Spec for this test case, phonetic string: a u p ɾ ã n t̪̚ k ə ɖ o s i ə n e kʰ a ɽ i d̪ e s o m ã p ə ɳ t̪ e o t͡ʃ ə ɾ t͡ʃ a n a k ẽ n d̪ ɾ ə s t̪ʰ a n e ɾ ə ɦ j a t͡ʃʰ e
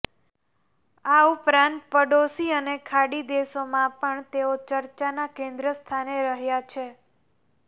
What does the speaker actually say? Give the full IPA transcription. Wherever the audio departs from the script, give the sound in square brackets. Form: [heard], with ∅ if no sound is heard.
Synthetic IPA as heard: a u p ɾ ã n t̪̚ [p] ə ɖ o s i ə n e kʰ a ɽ i d̪ e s o m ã p ə ɳ t̪ e o t͡ʃ ə ɾ t͡ʃ a n a k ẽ n d̪ ɾ ə s t̪ʰ a n e ɾ ə ɦ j a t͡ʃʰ e